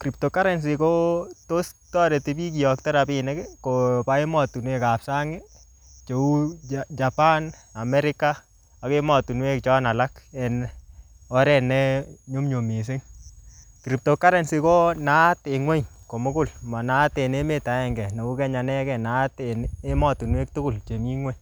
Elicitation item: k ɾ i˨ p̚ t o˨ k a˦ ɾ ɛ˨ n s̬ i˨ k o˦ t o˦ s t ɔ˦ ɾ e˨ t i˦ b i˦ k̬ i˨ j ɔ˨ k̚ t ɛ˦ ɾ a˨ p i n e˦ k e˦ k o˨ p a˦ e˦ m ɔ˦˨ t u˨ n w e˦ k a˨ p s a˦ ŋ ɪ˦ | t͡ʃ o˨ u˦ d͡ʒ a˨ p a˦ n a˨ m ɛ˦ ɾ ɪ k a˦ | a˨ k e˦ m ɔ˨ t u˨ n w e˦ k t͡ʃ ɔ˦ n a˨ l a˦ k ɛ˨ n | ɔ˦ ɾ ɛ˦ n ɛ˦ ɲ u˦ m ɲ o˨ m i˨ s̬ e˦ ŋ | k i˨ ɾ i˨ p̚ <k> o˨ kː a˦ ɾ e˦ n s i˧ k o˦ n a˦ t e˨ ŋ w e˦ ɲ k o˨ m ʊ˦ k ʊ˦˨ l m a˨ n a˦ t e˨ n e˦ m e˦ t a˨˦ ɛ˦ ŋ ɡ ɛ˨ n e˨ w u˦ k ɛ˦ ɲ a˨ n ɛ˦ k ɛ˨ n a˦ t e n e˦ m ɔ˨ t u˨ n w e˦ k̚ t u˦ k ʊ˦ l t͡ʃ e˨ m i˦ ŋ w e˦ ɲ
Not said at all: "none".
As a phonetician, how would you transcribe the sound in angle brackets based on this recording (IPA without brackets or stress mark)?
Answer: t